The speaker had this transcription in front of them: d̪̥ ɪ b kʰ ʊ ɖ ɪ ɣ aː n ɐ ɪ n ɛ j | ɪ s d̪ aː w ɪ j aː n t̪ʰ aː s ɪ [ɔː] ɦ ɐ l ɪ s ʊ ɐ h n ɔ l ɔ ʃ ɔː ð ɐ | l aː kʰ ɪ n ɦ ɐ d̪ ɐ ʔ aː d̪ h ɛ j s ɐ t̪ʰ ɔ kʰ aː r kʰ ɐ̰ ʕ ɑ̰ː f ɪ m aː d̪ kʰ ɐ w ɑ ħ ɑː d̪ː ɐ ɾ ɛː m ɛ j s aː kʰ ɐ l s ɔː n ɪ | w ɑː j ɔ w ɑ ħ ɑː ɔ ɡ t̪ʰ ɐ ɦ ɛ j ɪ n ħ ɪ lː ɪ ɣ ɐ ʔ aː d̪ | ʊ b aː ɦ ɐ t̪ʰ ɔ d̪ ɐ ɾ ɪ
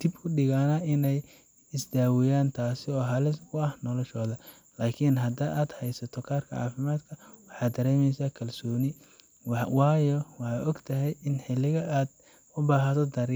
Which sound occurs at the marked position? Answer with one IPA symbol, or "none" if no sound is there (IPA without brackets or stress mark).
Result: ɔː